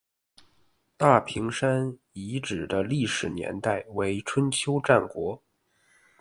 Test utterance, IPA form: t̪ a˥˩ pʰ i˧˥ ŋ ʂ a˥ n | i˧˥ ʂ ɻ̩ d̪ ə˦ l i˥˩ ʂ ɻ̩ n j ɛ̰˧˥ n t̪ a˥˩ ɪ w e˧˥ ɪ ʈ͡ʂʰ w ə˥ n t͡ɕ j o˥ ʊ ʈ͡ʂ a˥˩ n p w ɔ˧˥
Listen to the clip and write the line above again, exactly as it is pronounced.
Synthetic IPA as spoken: t̪ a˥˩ pʰ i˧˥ ŋ ʂ a˥ n | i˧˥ ʈ͡ʂ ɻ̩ d̪ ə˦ l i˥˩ ʂ ɻ̩ n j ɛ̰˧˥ n t̪ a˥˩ ɪ w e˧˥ ɪ ʈ͡ʂʰ w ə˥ n t͡ɕʰ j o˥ ʊ ʈ͡ʂ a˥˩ n k w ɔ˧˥